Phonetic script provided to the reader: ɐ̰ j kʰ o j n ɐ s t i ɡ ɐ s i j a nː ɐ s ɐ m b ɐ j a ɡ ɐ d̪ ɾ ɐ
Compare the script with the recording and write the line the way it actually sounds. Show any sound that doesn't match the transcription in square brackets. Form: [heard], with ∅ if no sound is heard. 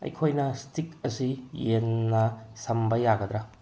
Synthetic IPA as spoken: ɐ̰ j kʰ o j n ɐ s t i [k] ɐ s i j [e] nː ɐ s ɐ m b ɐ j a ɡ ɐ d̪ ɾ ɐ